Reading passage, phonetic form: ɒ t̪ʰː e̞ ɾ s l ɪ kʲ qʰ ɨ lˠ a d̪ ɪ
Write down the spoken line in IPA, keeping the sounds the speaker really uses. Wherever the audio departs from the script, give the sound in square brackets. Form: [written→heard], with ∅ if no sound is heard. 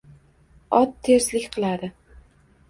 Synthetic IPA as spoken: ɒ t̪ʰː e̞ ɾ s l ɪ kʲ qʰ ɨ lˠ a d̪ ɪ